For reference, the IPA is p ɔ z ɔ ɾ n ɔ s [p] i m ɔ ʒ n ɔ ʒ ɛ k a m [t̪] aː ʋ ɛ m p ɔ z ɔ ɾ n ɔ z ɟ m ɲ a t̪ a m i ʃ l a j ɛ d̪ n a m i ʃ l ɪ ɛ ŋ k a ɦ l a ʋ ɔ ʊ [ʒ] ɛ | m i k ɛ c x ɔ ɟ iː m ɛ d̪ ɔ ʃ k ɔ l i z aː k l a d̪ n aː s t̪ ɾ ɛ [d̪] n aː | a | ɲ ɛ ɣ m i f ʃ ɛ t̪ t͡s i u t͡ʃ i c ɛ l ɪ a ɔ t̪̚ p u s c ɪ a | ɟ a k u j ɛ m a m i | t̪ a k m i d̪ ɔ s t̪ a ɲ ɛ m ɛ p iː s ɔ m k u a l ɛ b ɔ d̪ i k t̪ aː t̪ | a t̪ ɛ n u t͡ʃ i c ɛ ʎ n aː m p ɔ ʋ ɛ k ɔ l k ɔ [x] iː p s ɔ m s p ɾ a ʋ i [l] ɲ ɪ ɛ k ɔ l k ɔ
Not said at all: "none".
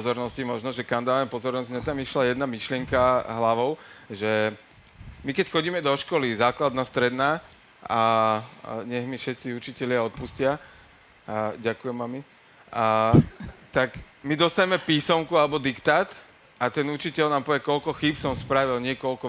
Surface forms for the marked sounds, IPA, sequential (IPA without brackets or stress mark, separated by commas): c, d̪, ʒ, d̪, x, l